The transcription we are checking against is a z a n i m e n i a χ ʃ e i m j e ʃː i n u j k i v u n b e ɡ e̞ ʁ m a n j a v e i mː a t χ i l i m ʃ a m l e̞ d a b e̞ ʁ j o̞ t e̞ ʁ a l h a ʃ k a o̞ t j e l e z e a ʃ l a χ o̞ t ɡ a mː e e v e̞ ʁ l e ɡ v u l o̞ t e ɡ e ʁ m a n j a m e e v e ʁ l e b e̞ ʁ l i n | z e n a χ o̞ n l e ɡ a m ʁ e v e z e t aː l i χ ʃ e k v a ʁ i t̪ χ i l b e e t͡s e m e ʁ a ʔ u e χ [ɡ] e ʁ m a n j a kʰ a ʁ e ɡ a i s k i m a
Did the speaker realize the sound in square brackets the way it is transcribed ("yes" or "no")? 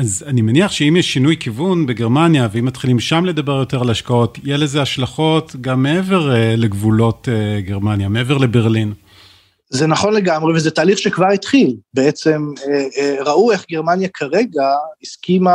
yes